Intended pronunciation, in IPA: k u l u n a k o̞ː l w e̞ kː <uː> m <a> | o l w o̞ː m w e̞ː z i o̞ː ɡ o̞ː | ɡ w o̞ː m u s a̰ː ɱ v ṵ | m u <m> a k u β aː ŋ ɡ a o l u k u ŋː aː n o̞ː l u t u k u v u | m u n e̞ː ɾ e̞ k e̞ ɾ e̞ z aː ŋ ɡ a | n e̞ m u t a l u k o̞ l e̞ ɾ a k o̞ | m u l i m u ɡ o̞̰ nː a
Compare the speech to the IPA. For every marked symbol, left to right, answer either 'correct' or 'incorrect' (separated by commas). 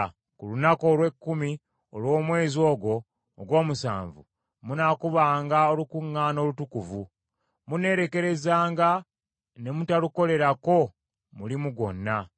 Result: incorrect, incorrect, incorrect